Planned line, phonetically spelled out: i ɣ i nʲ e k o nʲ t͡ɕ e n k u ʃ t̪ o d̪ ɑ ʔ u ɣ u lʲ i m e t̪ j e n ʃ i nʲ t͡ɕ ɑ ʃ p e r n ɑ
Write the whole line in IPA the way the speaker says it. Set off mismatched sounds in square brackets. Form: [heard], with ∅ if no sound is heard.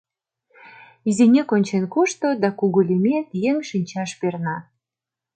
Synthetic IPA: i [z] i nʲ e k o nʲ t͡ɕ e n k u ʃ t̪ o d̪ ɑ [k] u ɣ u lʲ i m e t̪ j e [ŋ] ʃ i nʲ t͡ɕ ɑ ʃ p e r n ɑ